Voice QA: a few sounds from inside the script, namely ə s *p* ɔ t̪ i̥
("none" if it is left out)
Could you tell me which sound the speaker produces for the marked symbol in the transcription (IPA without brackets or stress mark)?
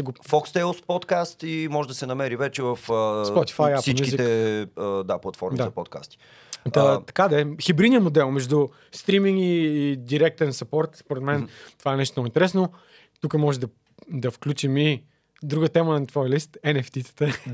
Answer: p